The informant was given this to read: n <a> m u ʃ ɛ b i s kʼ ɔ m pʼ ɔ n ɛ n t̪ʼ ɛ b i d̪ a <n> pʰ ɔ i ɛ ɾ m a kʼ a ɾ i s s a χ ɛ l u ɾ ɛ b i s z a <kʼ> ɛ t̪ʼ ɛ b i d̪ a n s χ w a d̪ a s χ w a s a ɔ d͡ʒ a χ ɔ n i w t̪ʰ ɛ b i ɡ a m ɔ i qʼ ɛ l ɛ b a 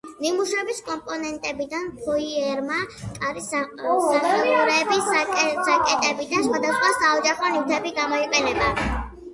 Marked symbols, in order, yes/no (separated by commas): no, yes, yes